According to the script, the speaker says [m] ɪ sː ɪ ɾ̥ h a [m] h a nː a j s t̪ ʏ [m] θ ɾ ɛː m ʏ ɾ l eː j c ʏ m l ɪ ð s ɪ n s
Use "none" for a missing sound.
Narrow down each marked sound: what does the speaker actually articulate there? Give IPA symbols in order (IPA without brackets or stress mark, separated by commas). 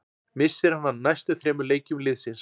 m, n, none